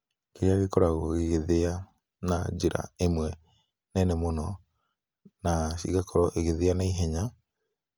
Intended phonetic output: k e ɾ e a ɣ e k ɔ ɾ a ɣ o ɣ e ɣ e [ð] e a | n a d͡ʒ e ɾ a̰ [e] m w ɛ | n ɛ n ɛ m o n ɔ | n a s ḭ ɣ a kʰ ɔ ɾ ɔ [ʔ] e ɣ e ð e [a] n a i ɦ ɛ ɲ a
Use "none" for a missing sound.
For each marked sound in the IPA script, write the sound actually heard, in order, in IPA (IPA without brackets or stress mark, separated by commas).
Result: ð, e, ʔ, a